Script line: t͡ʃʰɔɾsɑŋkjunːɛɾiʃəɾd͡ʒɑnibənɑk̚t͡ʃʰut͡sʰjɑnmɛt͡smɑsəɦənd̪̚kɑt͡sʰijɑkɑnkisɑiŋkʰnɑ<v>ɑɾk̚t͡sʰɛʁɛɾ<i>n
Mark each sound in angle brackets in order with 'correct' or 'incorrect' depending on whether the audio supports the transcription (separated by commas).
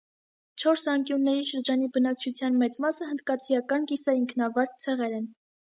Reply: correct, incorrect